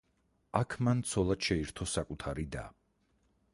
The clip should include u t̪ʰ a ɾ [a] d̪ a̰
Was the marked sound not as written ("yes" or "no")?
yes